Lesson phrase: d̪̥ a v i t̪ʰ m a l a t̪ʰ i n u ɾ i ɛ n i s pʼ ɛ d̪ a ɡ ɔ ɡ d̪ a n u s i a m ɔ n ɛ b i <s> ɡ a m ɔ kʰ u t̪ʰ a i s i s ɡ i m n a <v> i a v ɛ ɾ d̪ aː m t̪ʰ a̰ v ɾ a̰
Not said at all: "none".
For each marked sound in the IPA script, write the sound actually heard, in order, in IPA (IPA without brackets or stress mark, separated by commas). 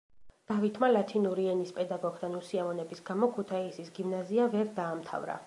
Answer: s, z